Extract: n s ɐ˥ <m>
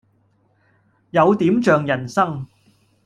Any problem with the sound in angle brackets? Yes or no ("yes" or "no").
yes